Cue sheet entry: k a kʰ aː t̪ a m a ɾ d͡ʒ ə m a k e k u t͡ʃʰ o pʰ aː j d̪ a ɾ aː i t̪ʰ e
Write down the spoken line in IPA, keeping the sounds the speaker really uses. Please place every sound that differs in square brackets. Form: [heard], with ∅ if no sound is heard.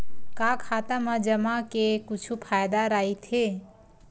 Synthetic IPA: k a kʰ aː t̪ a m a [∅] d͡ʒ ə m a k e k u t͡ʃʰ [u] pʰ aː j d̪ a ɾ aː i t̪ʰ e